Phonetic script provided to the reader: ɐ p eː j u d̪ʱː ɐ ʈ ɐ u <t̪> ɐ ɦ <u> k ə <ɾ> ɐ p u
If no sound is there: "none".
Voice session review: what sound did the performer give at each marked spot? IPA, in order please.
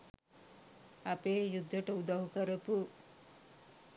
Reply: d̪, u, ɾ

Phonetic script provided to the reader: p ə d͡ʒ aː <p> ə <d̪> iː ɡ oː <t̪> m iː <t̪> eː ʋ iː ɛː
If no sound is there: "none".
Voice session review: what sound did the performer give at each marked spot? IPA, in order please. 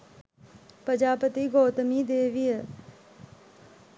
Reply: p, t̪, t̪, d̪

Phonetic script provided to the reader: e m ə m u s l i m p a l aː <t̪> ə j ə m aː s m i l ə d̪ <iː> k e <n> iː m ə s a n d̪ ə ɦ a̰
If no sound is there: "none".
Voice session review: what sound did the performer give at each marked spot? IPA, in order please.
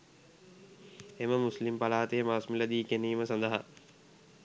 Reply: t̪, iː, n

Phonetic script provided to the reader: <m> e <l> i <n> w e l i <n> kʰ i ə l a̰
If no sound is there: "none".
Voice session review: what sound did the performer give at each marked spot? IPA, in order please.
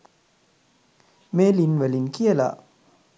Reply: m, l, n, n

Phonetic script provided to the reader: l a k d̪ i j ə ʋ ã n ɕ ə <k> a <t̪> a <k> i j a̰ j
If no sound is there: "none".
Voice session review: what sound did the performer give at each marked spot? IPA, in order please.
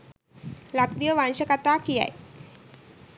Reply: k, t̪, k

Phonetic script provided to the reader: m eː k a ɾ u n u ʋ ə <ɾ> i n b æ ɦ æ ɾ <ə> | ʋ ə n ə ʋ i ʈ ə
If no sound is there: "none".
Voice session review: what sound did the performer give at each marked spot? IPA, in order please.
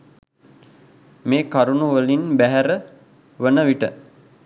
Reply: l, ə

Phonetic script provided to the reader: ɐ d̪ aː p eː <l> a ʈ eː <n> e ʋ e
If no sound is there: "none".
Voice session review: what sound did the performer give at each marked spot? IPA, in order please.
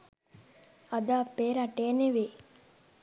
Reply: ɾ, n

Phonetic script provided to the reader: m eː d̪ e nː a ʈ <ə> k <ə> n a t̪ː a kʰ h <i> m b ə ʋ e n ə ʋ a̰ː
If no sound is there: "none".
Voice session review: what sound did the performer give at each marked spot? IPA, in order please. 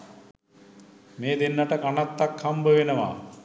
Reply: ə, a, a

